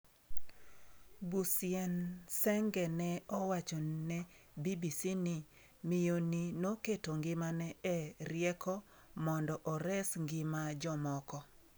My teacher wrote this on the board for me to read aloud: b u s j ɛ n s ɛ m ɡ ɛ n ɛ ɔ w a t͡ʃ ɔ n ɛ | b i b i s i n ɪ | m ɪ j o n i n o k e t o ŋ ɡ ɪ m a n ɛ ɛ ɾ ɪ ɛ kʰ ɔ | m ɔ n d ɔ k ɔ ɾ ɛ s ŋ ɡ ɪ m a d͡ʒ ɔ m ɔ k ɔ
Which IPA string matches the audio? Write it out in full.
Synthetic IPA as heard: b u s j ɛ n s ɛ ŋ ɡ ɛ n ɛ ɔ w a t͡ʃ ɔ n ɛ | b i b i s i n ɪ | m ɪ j o n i n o k e t o ŋ ɡ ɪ m a n ɛ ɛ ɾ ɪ ɛ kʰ ɔ | m ɔ n d ɔ ʔ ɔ ɾ ɛ s ŋ ɡ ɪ m a d͡ʒ ɔ m ɔ k ɔ